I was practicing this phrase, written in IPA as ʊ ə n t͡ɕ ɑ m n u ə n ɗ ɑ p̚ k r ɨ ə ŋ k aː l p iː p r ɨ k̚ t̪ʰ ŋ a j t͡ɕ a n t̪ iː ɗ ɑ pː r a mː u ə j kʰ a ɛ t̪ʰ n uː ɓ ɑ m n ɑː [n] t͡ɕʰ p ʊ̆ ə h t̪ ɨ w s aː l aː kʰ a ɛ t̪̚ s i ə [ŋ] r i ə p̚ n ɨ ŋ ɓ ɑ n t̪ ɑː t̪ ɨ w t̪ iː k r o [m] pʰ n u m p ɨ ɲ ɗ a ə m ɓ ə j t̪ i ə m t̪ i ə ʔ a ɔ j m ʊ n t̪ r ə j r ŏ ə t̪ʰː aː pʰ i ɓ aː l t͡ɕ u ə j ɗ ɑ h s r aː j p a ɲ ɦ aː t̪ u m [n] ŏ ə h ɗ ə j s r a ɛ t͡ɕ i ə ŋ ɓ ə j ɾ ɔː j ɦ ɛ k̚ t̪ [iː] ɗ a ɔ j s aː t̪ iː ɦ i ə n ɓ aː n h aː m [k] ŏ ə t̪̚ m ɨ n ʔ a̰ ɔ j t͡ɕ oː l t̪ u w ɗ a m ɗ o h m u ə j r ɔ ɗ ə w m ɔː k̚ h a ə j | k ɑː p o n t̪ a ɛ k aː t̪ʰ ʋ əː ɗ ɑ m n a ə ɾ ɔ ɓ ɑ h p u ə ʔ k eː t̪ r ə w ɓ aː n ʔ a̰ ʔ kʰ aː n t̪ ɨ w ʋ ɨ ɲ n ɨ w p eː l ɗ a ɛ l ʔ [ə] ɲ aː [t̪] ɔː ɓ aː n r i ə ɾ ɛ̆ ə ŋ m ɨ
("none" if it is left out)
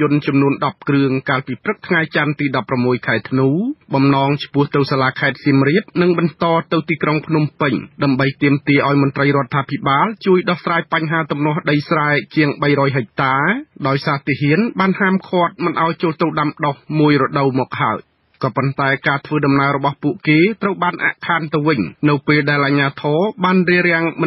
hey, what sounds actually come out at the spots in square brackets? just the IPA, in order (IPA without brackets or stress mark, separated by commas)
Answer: ŋ, m, ŋ, n, aː, kʰ, a, t̪ʰ